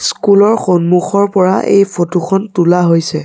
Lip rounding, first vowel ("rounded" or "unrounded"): rounded